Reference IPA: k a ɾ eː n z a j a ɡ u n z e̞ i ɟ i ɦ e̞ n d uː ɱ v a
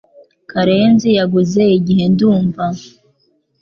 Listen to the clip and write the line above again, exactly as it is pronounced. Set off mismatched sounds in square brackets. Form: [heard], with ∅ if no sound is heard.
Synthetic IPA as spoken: k a ɾ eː n z [i] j a ɡ u [∅] z e̞ i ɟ i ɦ e̞ n d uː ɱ v a